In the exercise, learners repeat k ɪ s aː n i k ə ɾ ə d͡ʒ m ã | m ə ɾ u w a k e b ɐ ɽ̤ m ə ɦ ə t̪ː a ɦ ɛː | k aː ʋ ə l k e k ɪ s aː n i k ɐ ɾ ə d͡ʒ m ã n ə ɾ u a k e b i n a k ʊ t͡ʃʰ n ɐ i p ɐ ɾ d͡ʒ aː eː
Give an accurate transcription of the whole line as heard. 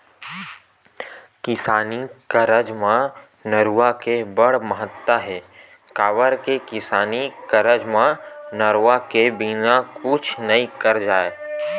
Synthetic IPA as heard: k ɪ s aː n i k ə ɾ ə d͡ʒ m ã | n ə ɾ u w a k e b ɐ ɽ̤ m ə ɦ ə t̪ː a ɦ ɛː | k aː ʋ ə ɾ k e k ɪ s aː n i k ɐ ɾ ə d͡ʒ m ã n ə ɾ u a k e b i n a k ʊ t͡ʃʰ n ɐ i k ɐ ɾ d͡ʒ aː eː